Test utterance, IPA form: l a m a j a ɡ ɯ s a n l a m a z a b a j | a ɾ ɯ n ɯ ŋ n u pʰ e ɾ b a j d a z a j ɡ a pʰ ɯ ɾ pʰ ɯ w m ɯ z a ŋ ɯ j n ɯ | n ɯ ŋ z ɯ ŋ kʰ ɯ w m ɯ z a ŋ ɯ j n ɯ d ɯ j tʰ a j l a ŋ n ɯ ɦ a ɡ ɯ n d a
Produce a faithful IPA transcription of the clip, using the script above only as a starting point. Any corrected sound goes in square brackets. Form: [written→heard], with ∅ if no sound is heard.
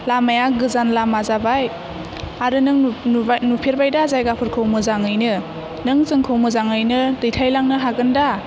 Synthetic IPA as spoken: l a m a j a ɡ ɯ [s→z] a n l a m a z a b a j | a ɾ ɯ n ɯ ŋ n u pʰ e ɾ b a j d a z a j ɡ a pʰ ɯ ɾ [pʰ→kʰ] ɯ w m ɯ z a ŋ ɯ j n ɯ | n ɯ ŋ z ɯ ŋ kʰ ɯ w m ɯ z a ŋ ɯ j n ɯ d ɯ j tʰ a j l a ŋ n ɯ ɦ a ɡ ɯ n d a